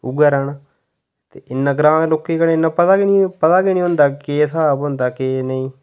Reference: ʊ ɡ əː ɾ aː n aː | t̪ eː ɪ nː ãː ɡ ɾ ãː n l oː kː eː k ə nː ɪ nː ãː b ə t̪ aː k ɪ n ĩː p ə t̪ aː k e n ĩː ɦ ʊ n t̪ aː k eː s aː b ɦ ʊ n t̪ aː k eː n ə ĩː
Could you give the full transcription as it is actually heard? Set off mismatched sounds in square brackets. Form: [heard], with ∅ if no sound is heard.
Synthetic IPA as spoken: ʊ ɡ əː ɾ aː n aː | t̪ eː ɪ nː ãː ɡ ɾ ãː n l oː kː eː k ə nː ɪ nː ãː [p] ə t̪ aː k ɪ n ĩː p ə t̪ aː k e n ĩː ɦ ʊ n [d̪] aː k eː s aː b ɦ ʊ n [d̪] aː k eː n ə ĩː